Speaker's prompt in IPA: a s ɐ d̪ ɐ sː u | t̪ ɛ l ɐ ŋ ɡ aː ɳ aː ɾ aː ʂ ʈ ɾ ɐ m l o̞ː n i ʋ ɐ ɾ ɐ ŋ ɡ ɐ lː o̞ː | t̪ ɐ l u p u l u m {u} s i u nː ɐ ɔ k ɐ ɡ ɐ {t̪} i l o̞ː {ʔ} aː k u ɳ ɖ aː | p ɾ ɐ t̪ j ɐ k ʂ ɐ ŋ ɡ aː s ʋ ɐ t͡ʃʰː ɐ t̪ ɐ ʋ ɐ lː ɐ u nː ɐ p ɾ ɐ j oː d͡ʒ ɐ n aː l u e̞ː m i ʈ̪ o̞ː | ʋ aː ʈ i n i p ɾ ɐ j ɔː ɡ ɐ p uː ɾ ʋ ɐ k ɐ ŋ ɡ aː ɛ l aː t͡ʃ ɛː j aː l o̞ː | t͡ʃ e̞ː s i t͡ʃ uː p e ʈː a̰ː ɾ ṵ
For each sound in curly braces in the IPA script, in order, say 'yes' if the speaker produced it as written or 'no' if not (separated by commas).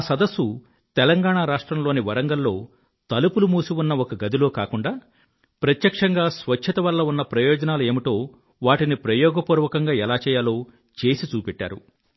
no, no, no